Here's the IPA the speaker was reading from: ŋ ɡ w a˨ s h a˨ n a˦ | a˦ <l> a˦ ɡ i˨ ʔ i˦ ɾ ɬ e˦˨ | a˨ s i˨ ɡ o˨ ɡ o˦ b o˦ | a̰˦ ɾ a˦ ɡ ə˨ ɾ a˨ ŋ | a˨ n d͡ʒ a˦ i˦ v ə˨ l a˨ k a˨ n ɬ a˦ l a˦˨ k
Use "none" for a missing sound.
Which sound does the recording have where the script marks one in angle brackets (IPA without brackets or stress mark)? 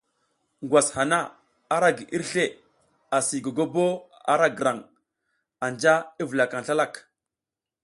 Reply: ɾ